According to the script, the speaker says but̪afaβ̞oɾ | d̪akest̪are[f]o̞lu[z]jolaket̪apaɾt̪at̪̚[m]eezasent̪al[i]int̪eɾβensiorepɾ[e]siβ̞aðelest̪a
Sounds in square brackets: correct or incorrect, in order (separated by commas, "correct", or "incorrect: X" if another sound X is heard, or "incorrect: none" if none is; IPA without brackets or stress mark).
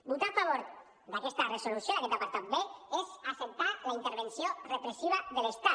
incorrect: s, incorrect: s, incorrect: b, incorrect: a, correct